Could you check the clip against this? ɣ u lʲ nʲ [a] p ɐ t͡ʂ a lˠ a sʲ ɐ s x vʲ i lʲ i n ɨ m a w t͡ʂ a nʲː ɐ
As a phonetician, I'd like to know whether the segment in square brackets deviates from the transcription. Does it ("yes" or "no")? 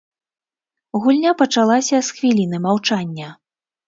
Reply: no